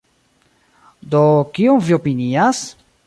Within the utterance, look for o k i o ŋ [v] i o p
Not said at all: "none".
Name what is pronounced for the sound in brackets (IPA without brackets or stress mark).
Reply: v